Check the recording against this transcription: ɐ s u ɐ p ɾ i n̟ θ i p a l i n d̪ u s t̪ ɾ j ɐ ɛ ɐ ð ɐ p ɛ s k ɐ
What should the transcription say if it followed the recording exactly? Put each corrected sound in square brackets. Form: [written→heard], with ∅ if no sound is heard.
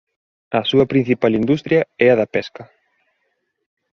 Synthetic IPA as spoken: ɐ s u ɐ p ɾ i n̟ θ i p a l i n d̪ u s t̪ ɾ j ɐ ɛ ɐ ð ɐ p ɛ s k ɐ